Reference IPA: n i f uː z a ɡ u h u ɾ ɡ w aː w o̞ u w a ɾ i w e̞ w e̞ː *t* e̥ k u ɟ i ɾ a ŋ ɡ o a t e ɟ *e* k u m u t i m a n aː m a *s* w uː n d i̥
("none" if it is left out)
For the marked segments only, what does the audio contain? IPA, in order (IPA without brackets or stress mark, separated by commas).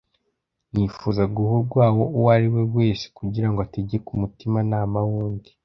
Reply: s, e, none